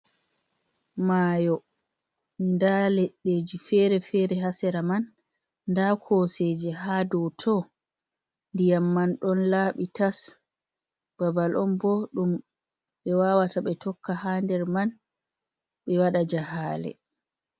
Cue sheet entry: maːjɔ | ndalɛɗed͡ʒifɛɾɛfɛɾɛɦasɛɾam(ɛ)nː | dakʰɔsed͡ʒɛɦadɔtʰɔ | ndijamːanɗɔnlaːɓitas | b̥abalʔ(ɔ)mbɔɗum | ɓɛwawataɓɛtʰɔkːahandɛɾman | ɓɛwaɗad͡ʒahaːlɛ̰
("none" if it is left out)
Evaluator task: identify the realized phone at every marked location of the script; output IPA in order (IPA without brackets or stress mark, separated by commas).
a, ɔ